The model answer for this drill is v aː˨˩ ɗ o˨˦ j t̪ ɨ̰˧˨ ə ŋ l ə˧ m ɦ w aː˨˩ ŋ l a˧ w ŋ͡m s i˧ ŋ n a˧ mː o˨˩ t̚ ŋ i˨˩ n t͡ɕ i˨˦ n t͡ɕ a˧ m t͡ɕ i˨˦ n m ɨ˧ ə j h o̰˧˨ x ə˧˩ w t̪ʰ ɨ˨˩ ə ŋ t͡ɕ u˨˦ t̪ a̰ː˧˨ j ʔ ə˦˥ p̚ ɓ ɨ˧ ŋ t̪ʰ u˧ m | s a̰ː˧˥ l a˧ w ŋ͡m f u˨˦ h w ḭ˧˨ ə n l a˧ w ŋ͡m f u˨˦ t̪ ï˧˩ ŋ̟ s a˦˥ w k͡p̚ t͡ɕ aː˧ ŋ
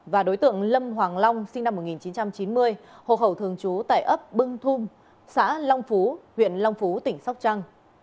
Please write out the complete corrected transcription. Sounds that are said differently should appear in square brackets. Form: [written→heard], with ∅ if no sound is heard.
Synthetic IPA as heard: v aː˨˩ ɗ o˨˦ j t̪ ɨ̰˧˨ ə ŋ l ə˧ m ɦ w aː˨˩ ŋ l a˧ w ŋ͡m s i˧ ŋ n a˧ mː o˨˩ t̚ ŋ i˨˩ n t͡ɕ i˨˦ n t͡ɕ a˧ m t͡ɕ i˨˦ n m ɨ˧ ə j h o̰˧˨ x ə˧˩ w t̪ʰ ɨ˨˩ ə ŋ t͡ɕ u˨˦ t̪ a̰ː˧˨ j ʔ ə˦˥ p̚ ɓ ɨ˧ ŋ t̪ʰ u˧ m | s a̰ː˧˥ l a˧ w ŋ͡m f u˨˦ h w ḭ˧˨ ə n l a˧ w ŋ͡m f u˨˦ t̪ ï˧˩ ŋ̟ s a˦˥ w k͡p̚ t͡ɕ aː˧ ŋ